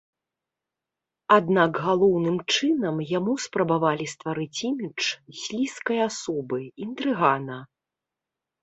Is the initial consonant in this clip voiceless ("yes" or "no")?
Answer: no